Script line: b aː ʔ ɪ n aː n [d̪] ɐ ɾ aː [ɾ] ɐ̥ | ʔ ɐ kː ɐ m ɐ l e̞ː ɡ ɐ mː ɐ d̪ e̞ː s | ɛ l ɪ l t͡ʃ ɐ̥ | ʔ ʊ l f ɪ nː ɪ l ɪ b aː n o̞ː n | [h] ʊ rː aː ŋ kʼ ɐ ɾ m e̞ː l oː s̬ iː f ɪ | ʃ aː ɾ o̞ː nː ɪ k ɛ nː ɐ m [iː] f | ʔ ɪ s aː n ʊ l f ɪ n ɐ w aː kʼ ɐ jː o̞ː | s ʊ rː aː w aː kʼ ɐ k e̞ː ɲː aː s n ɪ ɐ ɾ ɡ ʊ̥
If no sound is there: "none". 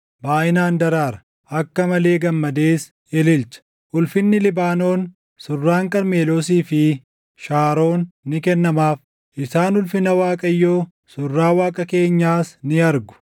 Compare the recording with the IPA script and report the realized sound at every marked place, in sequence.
d̪, ɾ, s, aː

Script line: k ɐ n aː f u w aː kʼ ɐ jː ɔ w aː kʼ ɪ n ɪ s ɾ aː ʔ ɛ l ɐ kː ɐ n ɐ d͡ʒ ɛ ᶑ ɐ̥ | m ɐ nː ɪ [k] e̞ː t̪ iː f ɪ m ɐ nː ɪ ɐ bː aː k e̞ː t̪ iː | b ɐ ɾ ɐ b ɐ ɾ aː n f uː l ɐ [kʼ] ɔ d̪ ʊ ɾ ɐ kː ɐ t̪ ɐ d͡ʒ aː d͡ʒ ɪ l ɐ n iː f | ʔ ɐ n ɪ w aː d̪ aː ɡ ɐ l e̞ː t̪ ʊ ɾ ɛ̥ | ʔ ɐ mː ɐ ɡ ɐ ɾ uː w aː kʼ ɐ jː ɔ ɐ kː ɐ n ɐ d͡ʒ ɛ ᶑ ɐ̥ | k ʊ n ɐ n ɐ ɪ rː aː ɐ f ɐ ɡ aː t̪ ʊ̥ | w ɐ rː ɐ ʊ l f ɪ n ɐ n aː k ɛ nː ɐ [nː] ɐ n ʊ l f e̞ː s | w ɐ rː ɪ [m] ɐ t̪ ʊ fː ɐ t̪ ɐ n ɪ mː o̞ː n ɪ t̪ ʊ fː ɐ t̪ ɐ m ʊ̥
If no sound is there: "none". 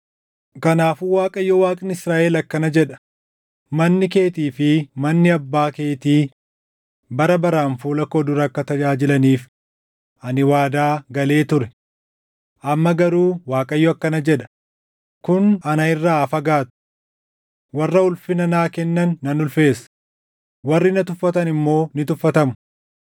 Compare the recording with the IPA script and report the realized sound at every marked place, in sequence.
k, k, nː, n

